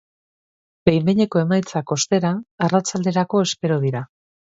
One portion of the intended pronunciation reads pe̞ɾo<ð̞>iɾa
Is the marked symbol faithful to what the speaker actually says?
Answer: yes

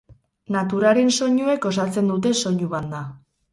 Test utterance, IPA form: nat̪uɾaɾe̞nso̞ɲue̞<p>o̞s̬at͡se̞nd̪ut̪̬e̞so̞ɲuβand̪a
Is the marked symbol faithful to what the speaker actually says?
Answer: no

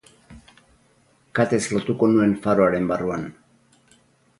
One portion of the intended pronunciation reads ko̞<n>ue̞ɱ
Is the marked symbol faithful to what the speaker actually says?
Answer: yes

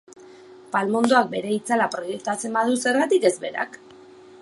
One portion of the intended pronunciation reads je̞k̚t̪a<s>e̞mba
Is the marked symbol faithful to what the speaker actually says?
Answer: no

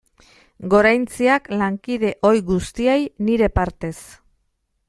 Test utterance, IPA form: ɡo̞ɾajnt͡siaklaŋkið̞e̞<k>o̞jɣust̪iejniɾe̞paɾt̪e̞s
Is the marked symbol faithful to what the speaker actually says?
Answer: no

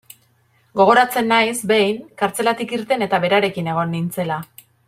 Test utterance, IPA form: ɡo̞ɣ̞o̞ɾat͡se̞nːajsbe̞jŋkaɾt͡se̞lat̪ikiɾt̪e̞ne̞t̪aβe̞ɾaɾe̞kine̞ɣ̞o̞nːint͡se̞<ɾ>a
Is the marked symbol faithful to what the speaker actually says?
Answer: no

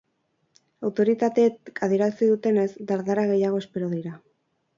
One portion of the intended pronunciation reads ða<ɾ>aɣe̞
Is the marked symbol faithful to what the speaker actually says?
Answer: yes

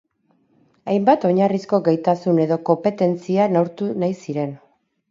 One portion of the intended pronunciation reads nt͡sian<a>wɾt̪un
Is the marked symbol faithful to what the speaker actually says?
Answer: yes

